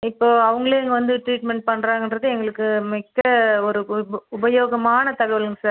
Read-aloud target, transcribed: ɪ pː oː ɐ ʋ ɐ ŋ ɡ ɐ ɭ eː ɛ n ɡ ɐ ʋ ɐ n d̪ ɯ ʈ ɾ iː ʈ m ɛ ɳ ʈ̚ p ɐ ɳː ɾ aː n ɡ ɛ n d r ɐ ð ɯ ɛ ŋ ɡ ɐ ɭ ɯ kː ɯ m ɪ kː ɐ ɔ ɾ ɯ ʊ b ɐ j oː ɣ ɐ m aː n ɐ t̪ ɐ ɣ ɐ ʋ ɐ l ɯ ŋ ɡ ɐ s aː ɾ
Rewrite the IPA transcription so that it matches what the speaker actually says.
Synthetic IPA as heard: ɪ pː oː ɐ ʋ ɐ ŋ ɡ ɐ ɭ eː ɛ ŋ ɡ ɐ ʋ ɐ n d̪ ɯ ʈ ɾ iː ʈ m ɛ ɳ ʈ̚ p ɐ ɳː ɾ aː ŋ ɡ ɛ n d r ɐ ð ɯ ɛ ŋ ɡ ɐ ɭ ɯ kː ɯ m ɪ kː ɐ ɔ ɾ ɯ ʊ b ɐ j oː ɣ ɐ m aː n ɐ t̪ ɐ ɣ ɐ ʋ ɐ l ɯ ŋ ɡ ɐ s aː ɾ